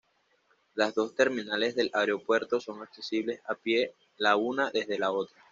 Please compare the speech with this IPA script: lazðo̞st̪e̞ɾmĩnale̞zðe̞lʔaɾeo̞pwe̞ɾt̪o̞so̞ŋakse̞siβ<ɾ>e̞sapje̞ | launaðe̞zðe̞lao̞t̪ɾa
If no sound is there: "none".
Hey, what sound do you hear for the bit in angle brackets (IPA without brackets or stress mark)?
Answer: l